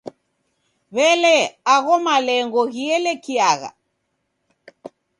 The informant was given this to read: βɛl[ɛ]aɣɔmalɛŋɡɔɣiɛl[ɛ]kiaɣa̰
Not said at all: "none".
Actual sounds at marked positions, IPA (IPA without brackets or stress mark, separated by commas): ɛ, ɛ